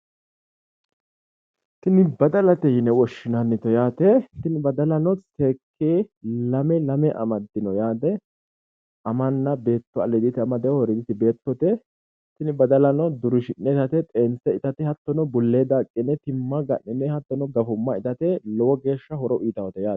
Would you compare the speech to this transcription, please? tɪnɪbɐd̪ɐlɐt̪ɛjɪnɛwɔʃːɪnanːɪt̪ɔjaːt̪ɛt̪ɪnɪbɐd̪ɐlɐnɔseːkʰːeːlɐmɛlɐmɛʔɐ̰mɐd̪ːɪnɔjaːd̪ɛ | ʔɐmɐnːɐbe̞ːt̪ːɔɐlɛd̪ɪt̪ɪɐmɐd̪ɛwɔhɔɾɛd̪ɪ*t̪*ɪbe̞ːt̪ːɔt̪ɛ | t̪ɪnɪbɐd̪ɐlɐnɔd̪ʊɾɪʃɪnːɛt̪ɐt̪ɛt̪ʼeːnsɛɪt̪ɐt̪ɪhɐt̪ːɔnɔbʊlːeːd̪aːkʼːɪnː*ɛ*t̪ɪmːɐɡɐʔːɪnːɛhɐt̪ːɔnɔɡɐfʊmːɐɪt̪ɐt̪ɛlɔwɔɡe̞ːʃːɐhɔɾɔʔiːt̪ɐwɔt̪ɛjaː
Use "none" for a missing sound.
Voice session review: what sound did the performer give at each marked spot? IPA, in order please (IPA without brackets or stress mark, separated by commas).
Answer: t̪, ɛ